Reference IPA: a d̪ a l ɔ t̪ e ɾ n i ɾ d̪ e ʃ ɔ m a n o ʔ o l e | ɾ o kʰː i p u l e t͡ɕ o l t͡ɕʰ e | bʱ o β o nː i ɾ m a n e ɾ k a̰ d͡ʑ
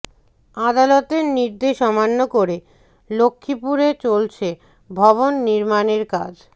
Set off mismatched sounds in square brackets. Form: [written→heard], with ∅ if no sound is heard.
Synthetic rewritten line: a d̪ a l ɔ t̪ e ɾ n i ɾ d̪ e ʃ ɔ m a [n→nː] o [ʔ→k] o [l→ɾ] e | [ɾ→l] o kʰː i p u [l→ɾ] e t͡ɕ o l t͡ɕʰ e | bʱ [o→ɔ] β o nː i ɾ m a n e ɾ k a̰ d͡ʑ